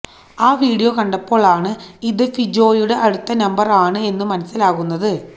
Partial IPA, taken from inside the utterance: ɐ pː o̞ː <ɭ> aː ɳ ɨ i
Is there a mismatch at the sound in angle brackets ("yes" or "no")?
no